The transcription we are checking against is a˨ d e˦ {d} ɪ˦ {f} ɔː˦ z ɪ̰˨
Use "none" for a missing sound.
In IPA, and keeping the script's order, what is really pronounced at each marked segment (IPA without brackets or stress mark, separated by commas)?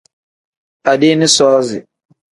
n, s